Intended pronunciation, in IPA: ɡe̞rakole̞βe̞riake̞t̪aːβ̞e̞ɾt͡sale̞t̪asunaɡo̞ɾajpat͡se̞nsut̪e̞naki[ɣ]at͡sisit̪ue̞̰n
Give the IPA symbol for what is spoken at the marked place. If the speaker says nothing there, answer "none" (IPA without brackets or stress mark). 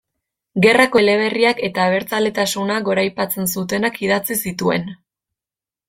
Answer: ð